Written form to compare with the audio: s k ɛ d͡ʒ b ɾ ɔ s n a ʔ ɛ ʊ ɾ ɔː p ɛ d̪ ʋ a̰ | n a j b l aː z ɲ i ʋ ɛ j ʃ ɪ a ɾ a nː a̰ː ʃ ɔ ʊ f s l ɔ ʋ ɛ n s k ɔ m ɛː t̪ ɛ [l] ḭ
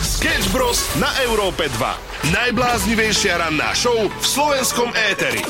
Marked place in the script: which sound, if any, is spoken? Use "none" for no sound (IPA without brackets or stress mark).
ɾ